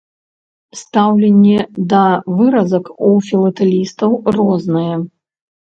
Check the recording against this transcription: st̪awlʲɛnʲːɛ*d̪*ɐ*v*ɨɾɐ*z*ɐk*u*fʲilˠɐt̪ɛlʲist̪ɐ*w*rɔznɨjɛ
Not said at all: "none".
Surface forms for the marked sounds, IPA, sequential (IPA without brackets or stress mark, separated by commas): d̪, v, z, u, w